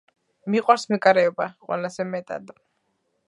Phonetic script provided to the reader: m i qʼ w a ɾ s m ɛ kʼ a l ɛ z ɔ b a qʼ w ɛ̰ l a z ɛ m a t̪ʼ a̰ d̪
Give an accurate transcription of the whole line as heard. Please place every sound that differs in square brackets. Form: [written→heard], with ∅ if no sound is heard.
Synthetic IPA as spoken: m i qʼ w a ɾ s m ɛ kʼ a [l→ɾ] ɛ [z→∅] ɔ b a qʼ w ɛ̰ l a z ɛ m [a→ɛ] t̪ʼ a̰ d̪